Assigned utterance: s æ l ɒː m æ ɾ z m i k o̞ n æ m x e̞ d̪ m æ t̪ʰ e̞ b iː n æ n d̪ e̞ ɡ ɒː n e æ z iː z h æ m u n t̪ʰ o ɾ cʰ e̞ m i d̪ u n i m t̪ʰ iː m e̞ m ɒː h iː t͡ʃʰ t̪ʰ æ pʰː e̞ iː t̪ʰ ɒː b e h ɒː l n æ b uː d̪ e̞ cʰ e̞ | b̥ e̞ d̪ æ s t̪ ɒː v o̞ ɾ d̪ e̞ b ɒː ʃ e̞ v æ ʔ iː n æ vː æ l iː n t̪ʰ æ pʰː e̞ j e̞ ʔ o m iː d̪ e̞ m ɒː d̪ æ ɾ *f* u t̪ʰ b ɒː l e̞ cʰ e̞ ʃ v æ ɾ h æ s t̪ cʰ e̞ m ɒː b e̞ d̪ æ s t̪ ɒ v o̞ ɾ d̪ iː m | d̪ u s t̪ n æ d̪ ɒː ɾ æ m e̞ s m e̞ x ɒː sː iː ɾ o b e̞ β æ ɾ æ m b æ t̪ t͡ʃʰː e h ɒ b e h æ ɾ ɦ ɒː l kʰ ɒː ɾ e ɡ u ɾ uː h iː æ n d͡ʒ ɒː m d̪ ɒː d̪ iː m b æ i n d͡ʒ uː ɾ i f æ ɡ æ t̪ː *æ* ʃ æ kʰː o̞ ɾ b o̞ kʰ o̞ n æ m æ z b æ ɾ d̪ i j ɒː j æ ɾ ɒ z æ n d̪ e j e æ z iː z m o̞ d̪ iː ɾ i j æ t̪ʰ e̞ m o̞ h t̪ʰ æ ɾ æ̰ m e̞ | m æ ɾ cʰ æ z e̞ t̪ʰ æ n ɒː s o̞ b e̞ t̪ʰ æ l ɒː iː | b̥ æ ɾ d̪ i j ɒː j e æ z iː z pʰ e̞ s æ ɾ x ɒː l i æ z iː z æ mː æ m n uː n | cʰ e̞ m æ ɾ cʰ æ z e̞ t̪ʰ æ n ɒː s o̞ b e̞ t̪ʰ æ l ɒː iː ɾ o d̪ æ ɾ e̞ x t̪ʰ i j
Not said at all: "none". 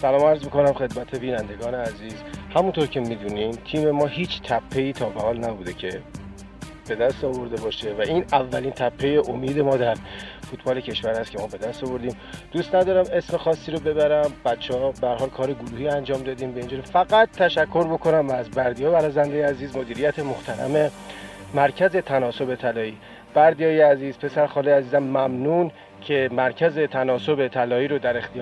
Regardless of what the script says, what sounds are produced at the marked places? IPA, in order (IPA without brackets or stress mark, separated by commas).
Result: f, æ